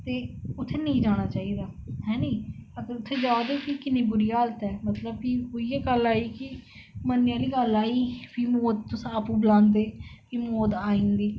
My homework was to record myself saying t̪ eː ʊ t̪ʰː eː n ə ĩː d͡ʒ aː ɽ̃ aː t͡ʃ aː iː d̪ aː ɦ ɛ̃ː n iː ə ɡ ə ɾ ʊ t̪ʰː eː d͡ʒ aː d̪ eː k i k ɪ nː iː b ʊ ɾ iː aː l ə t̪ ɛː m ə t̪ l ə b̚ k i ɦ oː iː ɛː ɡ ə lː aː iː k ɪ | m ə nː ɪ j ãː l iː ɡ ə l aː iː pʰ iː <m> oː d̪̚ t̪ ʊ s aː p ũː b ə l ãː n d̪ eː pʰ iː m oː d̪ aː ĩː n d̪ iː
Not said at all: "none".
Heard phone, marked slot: m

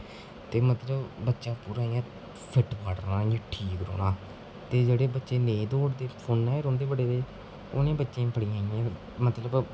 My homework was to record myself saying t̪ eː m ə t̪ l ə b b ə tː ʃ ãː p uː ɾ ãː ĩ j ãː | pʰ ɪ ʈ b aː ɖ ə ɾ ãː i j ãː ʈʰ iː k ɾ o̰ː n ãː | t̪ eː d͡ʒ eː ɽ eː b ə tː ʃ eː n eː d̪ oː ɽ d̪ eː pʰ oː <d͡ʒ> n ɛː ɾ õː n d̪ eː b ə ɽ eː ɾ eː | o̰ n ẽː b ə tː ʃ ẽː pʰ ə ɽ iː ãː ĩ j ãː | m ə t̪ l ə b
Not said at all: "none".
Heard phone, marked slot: none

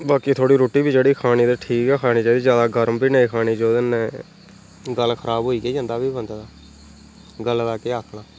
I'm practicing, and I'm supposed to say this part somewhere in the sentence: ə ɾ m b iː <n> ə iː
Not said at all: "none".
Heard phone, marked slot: n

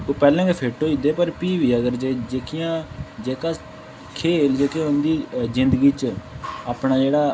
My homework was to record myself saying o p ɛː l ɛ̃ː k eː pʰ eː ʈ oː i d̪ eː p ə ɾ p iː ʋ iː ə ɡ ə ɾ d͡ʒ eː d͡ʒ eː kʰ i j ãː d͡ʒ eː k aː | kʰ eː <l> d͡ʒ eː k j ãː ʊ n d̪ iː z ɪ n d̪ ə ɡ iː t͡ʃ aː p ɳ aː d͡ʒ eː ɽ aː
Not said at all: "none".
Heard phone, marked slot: l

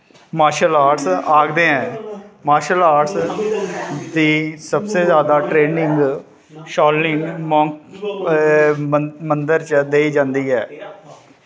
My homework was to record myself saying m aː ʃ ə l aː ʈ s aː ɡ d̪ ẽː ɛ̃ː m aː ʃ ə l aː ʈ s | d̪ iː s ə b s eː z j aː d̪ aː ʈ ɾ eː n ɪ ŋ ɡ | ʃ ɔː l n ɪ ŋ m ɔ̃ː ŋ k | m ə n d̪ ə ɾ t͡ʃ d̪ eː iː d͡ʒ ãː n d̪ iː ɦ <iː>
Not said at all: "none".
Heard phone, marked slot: ɛː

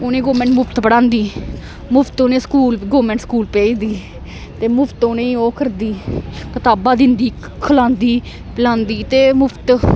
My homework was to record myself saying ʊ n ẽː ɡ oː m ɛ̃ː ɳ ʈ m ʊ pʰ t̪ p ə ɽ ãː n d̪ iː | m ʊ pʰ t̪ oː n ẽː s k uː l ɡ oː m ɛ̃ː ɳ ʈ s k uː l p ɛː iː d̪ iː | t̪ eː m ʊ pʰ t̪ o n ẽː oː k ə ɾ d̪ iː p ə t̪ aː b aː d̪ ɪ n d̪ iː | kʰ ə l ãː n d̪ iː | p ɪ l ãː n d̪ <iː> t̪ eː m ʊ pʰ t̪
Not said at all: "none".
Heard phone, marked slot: iː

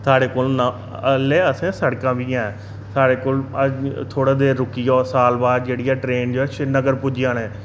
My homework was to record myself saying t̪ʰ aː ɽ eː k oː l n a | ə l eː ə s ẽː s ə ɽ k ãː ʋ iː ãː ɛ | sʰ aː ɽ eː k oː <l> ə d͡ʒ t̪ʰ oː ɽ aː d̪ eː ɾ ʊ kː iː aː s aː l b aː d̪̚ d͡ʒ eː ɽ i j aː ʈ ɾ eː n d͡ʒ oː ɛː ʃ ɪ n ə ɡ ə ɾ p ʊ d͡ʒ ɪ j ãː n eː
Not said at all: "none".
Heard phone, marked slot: l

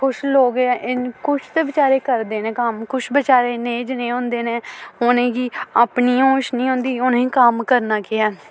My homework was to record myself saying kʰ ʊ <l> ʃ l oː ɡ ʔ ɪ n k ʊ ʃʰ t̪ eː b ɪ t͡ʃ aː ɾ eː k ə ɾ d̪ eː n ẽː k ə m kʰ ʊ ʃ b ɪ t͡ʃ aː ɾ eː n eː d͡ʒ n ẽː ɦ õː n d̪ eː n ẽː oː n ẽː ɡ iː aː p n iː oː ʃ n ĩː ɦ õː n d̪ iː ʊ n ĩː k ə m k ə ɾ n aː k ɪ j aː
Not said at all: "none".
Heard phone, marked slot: none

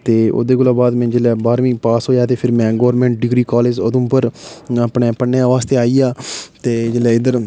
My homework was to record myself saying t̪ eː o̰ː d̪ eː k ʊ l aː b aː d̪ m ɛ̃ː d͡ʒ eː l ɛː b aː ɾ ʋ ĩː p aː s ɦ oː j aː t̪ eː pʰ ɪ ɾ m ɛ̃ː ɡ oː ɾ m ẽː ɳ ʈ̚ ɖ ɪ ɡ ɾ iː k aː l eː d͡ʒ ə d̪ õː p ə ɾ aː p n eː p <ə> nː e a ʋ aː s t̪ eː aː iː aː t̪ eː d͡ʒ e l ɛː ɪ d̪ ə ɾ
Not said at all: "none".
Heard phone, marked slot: ə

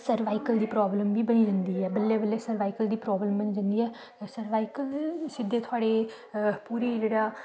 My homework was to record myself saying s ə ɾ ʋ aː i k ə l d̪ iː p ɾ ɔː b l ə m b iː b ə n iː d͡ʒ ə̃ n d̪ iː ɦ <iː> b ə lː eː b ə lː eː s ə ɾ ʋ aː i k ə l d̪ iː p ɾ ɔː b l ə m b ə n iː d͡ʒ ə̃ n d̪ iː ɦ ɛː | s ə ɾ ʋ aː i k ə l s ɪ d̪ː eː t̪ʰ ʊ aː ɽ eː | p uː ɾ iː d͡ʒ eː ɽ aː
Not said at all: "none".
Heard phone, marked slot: ɛː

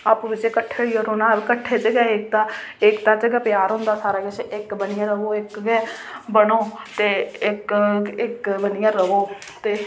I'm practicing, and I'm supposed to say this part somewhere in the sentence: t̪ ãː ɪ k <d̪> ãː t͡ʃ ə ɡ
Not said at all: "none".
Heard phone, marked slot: t̪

